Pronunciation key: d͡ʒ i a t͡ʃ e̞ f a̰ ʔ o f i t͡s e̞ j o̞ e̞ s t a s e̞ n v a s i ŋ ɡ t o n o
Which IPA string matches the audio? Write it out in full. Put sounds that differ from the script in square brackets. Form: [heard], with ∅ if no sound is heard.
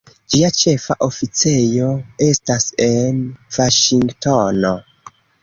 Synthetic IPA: d͡ʒ i a t͡ʃ e̞ f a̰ ʔ o f i t͡s e̞ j o̞ e̞ s t a s e̞ n v a [ʃ] i ŋ ɡ t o n o